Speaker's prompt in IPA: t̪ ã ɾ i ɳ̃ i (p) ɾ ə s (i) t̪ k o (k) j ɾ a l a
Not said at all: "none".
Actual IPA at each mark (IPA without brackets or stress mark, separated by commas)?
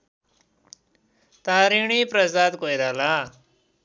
p, a, none